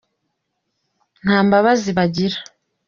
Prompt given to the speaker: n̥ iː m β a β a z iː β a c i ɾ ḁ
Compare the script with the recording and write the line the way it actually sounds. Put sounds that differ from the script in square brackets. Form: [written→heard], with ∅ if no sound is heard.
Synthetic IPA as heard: n̥ [iː→aː] m [β→b] a β a z [iː→i] β a [c→ɟ] i ɾ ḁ